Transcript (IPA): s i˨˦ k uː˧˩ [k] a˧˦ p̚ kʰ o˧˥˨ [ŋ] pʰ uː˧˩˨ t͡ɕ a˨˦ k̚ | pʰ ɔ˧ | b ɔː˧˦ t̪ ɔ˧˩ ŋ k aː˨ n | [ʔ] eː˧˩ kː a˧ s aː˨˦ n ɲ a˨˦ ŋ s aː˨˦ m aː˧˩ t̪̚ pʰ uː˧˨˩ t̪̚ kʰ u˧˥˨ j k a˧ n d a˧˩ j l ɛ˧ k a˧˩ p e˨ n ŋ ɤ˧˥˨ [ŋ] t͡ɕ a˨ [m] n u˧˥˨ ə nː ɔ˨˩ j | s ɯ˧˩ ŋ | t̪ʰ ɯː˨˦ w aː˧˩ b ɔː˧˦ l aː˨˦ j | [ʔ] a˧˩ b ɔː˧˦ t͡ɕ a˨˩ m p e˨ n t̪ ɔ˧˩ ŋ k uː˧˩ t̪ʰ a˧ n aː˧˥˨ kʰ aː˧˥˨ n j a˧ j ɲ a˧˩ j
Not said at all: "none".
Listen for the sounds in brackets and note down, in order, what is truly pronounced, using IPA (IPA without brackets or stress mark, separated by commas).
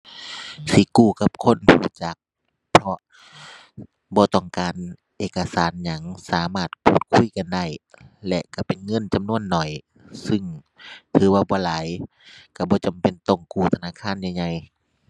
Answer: k, n, ʔ, n, m, k